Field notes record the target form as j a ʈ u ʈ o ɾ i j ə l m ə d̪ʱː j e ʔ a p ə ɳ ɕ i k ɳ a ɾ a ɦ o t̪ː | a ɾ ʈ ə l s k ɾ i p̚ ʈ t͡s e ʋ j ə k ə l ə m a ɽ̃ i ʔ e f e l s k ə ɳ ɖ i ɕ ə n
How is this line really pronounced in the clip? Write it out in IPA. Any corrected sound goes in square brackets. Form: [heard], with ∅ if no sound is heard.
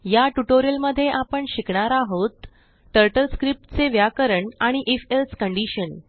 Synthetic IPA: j a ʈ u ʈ o ɾ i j ə l m ə d̪ʱː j e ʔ a p ə ɳ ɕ i k ɳ a ɾ a ɦ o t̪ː | [ə] ɾ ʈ ə l s k ɾ i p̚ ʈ t͡s e ʋ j [a] k ə [ɾ] ə [ɳ] a ɽ̃ i ʔ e f e l s k ə ɳ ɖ i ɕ ə n